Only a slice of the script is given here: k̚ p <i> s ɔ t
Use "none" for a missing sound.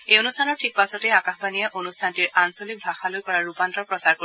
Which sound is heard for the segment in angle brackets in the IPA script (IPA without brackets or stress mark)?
a